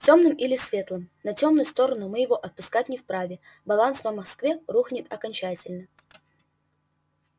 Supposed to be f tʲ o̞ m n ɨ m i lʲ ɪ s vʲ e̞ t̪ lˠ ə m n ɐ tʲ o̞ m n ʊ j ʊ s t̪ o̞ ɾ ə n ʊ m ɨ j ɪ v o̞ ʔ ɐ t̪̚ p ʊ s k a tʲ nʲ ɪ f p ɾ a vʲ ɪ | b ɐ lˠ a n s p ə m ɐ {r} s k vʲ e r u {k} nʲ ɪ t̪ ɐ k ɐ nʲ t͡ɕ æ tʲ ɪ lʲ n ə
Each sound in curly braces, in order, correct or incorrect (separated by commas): incorrect, incorrect